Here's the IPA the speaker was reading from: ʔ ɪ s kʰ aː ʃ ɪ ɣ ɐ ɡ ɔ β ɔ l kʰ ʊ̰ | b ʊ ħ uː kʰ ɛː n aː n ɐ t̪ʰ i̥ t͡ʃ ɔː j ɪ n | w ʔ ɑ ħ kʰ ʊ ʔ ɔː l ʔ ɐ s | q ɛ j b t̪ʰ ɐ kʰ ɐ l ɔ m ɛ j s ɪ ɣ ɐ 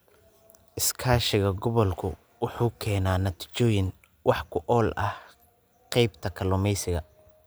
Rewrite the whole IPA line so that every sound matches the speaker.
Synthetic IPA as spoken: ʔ ɪ s kʰ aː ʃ ɪ ɣ ɐ ɡ ɔ β ɔ l kʰ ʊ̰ | w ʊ ħ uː kʰ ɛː n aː n ɐ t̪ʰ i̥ t͡ʃ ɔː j ɪ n | w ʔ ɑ ħ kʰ ʊ ʔ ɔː l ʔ ɐ h | q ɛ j b t̪ʰ ɐ kʰ ɐ l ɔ m ɛ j s ɪ ɣ ɐ

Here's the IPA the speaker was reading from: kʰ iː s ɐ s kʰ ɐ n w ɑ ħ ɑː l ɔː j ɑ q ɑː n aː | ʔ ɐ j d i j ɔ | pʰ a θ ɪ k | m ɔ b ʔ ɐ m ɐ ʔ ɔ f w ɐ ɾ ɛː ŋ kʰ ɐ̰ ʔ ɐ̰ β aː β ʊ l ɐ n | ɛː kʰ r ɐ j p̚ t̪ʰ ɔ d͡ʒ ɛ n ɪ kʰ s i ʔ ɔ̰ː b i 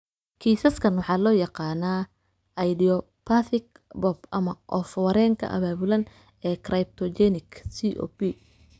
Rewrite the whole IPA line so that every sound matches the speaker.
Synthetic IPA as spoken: kʰ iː s ɐ s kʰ ɐ n w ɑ ħ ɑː l ɔː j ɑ q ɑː n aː | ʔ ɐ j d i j ɔ | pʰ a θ ɪ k | b ɔ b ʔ ɐ m ɐ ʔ ɔ f w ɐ ɾ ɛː ŋ kʰ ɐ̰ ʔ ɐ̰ β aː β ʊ l ɐ n | ɛː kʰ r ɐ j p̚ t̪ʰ ɔ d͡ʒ ɛ n ɪ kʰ s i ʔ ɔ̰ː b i

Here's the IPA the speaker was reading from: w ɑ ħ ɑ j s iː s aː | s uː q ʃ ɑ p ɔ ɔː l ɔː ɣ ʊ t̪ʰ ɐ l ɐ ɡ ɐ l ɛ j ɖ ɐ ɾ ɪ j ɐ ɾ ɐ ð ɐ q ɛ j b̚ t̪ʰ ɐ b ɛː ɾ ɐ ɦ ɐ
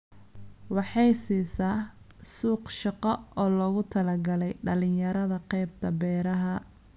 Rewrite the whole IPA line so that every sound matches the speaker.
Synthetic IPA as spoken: w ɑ ħ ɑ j s iː s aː | s uː q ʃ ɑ q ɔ ɔː l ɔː ɣ ʊ t̪ʰ ɐ l ɐ ɡ ɐ l ɛ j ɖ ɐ l ɪ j ɐ ɾ ɐ ð ɐ q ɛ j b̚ t̪ʰ ɐ b ɛː ɾ ɐ ɦ ɐ

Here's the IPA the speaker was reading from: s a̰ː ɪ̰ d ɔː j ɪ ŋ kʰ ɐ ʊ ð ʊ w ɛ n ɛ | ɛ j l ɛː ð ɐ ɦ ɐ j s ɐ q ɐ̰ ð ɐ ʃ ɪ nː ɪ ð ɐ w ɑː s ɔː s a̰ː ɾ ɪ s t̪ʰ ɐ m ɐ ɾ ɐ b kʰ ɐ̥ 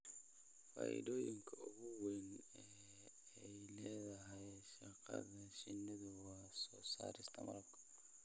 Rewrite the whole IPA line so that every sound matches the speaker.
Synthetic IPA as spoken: f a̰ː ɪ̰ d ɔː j ɪ ŋ kʰ ɐ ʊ ɣ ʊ w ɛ n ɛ | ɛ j l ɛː ð ɐ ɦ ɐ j ʃ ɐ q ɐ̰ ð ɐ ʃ ɪ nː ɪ ð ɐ w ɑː s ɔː s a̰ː ɾ ɪ s t̪ʰ ɐ m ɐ ɾ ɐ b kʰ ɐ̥

